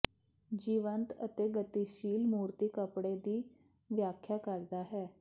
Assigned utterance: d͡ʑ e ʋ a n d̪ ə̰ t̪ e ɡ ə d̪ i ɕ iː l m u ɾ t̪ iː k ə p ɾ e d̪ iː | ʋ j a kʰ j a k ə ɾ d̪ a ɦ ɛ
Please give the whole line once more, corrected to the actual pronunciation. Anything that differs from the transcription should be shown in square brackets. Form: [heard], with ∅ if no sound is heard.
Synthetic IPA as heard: d͡ʑ [i] ʋ [ə] n [t̪] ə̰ t̪ e ɡ ə [t̪] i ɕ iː l m u ɾ t̪ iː k ə p [ɽ] e d̪ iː | ʋ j a kʰ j a k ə ɾ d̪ a ɦ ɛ